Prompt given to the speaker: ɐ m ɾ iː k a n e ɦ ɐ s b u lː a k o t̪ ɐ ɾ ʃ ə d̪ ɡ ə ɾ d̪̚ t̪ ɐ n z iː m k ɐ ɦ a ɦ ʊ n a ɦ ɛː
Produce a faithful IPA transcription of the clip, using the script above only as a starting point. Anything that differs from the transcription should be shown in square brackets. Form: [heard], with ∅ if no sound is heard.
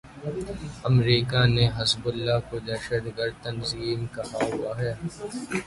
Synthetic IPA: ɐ m ɾ iː k a n e ɦ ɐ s b [ʊ] lː a k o [d̪] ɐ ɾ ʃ ə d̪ ɡ ə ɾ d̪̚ t̪ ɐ n z iː m k ɐ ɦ a ɦ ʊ [∅] a ɦ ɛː